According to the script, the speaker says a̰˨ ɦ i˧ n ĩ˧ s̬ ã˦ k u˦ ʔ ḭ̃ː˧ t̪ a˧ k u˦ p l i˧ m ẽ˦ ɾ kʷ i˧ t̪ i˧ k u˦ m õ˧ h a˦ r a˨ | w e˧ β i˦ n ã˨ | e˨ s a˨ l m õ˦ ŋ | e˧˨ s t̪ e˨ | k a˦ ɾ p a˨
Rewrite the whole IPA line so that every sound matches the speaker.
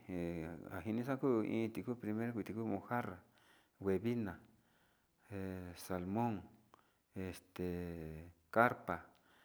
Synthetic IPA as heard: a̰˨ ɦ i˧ n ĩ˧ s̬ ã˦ k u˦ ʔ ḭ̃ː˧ t̪ i˧ k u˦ p ɾ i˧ m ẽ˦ ɾ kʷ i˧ t̪ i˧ k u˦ m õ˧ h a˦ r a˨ | w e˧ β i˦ n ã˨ | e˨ s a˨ l m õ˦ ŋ | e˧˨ s t̪ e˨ | k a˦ ɾ p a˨